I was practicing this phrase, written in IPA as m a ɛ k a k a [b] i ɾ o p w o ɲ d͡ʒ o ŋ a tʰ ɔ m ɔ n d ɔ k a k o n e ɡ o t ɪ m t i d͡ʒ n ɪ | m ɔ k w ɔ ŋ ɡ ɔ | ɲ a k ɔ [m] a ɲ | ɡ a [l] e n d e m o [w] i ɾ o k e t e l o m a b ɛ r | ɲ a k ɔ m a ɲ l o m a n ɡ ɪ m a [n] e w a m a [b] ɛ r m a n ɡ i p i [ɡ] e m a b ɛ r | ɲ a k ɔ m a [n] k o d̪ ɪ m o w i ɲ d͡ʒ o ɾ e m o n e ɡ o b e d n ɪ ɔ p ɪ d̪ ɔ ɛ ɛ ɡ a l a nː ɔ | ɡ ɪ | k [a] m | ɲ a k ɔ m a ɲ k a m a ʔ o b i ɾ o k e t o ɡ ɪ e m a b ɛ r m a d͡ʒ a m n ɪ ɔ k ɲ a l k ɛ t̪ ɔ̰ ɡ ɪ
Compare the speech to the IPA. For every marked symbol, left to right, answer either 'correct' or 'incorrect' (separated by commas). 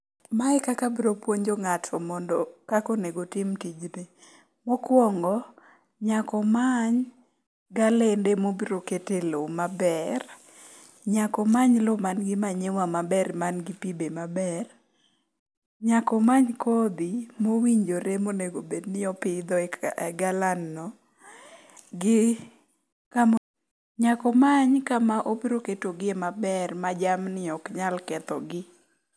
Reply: correct, correct, correct, incorrect, incorrect, correct, incorrect, incorrect, correct